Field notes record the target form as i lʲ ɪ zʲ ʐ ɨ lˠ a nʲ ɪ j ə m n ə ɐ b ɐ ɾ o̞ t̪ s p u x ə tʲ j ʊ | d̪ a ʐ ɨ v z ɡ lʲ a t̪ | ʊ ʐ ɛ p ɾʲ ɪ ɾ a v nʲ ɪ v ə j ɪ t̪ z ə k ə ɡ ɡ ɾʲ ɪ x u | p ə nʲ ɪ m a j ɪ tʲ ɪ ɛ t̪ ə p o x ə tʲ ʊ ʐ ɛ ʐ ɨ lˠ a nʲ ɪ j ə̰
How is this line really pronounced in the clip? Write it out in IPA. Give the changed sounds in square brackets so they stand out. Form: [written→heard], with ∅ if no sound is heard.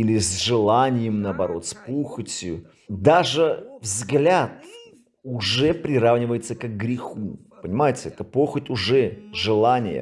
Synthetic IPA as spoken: i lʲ ɪ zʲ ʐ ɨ lˠ a nʲ ɪ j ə m n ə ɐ b ɐ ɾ o̞ t̪ s p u x ə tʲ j ʊ | d̪ a ʐ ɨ v z ɡ lʲ a t̪ | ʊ ʐ ɛ p ɾʲ ɪ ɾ a v nʲ ɪ v ə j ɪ t̪ [z→s] ə k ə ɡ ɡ ɾʲ ɪ x u | p ə nʲ ɪ m a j ɪ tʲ ɪ ɛ t̪ ə p o x ə tʲ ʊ ʐ ɛ ʐ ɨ lˠ a nʲ ɪ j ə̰